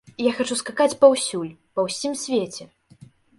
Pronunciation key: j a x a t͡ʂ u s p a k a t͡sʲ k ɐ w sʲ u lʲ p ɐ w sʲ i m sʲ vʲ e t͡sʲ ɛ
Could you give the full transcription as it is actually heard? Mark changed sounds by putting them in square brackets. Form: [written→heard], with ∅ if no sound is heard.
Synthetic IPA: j a x a t͡ʂ u s [p→k] a k a t͡sʲ [k→p] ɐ w sʲ u lʲ p ɐ w sʲ i m sʲ vʲ e t͡sʲ ɛ